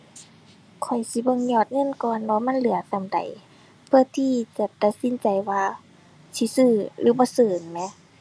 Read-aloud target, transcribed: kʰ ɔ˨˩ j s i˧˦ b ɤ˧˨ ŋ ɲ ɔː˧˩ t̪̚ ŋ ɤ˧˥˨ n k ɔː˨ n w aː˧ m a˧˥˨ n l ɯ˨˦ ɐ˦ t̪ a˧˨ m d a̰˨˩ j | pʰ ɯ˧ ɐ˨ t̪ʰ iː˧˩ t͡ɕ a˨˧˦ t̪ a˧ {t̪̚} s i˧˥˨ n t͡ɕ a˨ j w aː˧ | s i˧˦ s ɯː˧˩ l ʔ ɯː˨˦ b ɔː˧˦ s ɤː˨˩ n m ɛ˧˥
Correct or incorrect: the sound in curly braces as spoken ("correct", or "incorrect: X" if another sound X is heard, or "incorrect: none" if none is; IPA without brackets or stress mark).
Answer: correct